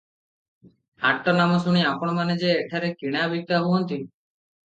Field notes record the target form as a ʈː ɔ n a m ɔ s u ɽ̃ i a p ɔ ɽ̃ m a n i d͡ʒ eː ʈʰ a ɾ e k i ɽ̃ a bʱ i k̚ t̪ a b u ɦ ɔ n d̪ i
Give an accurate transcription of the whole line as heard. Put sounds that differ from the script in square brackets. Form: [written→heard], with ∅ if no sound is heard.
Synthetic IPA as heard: a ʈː ɔ n a m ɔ s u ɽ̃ i a p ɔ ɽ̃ m a n [i→e] d͡ʒ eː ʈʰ a ɾ e k i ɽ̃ a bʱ i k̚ t̪ a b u ɦ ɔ n [d̪→t̪] i

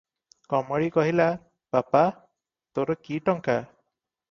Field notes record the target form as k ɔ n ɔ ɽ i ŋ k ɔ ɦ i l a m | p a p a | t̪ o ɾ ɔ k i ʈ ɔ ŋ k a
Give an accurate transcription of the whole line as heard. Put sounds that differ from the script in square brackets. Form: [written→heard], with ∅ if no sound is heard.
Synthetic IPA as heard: k ɔ [n→m] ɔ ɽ i [ŋ→∅] k ɔ ɦ i l a [m→∅] | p a p a | t̪ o ɾ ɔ k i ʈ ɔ ŋ k a

